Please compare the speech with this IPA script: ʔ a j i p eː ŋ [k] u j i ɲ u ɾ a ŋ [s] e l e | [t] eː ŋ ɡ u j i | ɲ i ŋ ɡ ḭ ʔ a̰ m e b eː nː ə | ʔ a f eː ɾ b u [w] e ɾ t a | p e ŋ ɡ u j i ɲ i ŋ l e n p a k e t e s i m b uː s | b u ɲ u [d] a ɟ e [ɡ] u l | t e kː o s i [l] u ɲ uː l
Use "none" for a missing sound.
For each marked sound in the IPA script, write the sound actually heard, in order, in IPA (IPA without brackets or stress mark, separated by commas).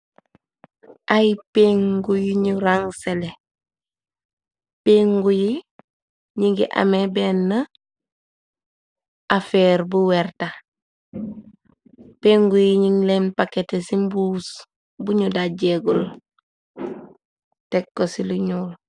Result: ɡ, s, p, w, d, ɡ, l